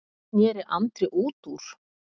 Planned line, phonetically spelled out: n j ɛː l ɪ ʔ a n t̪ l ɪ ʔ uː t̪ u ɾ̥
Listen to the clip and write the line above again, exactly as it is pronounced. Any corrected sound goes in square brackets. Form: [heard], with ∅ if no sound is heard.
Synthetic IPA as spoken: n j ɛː [ɾ] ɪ ʔ a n t̪ [ɾ] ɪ ʔ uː t̪ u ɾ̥